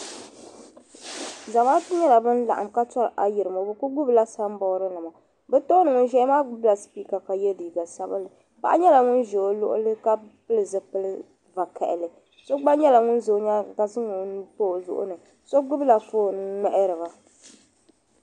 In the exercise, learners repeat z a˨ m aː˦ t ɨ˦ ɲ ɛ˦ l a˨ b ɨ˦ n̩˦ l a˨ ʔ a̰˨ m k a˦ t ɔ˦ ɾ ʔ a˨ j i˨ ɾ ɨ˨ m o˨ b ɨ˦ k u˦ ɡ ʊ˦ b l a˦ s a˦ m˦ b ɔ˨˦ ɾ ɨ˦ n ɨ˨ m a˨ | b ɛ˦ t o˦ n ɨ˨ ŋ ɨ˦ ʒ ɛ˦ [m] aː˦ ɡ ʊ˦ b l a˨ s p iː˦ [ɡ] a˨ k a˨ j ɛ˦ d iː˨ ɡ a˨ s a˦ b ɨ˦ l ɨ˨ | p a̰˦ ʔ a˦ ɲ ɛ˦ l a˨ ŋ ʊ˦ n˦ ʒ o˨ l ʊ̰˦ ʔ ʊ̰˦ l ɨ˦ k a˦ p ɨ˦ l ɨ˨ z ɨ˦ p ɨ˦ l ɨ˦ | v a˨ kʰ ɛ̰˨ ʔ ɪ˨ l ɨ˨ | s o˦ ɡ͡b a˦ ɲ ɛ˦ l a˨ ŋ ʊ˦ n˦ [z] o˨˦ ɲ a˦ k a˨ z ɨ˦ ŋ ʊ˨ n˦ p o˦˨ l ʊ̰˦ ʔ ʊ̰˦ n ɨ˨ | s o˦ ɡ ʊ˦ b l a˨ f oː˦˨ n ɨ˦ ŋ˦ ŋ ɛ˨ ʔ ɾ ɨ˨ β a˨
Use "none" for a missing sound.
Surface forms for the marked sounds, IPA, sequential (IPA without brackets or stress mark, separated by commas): m, k, z